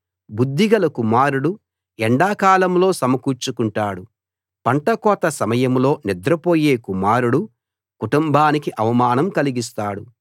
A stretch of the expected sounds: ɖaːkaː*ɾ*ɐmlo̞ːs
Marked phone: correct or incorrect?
incorrect: l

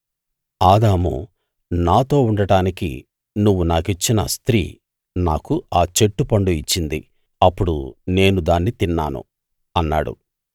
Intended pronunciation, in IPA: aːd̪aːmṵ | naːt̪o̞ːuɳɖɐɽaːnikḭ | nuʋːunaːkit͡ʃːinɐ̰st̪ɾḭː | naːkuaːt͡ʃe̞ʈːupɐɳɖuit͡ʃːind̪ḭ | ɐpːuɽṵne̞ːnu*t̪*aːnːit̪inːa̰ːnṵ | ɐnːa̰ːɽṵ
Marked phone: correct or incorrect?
incorrect: d̪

